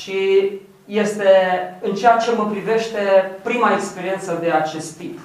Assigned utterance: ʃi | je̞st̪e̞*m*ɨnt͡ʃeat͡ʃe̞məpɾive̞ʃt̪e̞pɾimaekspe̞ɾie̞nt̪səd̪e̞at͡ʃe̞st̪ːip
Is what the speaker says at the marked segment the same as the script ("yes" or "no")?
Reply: no